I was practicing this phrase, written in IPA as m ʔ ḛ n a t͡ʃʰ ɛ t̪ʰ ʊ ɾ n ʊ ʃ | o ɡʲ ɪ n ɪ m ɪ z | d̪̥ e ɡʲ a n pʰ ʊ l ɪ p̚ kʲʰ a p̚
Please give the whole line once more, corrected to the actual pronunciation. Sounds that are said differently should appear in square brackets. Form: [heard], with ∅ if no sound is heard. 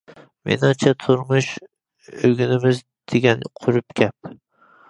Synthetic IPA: m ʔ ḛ n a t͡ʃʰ [a] t̪ʰ ʊ ɾ [m] ʊ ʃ | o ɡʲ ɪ n ɪ m ɪ z | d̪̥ e ɡʲ a n [qʰ] ʊ [ɾ] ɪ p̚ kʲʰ a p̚